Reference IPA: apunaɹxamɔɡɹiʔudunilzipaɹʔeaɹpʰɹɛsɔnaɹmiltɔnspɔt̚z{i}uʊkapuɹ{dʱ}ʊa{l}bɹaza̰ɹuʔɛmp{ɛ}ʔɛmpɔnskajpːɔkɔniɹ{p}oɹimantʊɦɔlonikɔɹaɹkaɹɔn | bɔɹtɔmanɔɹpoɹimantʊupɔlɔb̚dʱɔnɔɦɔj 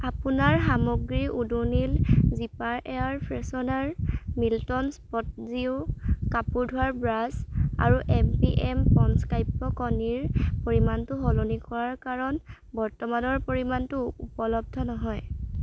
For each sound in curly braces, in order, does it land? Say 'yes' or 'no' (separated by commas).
yes, yes, no, no, yes